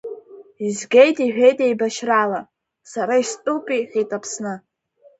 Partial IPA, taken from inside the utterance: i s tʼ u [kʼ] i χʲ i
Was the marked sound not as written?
yes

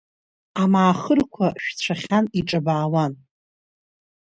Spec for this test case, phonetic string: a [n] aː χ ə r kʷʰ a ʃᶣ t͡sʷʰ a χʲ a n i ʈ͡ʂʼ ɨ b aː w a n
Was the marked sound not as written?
yes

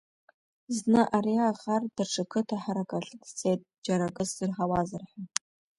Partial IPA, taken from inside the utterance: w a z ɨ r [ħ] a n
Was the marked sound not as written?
no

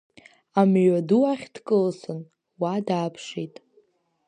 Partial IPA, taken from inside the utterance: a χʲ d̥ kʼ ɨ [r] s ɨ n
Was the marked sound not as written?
yes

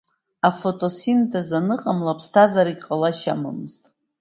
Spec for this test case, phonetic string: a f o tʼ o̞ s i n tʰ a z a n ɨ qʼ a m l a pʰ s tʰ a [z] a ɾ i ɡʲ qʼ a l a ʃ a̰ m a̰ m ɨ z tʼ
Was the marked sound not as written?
no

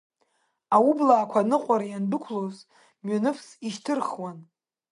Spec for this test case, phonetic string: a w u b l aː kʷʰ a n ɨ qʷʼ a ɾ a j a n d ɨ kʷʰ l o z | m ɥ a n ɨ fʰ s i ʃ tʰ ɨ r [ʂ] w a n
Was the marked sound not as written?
yes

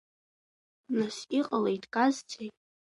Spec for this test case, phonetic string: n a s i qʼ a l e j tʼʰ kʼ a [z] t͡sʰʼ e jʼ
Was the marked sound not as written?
no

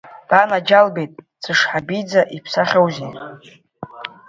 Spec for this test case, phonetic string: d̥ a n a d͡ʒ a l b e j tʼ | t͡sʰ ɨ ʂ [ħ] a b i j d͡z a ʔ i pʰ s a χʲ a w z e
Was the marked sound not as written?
no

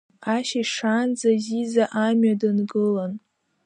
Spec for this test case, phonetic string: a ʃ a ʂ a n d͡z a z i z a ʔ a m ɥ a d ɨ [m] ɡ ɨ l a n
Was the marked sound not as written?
yes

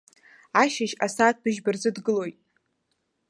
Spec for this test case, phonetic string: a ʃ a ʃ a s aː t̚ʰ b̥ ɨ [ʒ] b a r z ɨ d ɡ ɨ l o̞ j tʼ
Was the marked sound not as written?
no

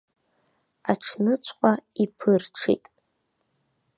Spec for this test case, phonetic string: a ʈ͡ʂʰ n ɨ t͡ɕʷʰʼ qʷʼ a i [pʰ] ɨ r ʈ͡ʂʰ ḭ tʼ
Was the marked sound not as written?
no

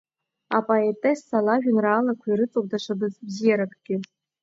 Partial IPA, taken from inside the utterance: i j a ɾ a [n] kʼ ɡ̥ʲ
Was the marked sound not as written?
yes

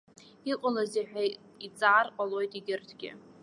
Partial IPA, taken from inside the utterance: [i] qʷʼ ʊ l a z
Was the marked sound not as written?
no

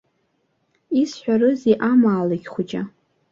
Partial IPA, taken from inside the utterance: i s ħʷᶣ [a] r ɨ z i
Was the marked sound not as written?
no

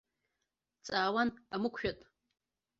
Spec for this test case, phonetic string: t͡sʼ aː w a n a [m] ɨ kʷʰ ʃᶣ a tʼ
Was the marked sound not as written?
no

